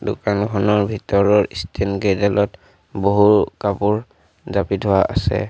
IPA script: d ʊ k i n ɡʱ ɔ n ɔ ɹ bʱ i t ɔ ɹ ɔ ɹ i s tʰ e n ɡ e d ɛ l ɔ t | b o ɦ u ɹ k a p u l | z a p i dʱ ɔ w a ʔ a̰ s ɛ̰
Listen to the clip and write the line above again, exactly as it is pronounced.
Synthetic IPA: d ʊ k a n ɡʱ ɔ n ɔ ɹ bʱ i t ɔ ɹ ɔ ɹ i s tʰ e n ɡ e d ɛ l ɔ t | b o ɦ u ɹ k a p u ɹ | z a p i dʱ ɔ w a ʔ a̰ s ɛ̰